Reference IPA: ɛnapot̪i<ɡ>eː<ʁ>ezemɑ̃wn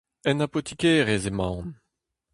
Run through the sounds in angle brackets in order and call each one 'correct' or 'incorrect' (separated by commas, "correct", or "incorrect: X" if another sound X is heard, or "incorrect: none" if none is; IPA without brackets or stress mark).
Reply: incorrect: k, correct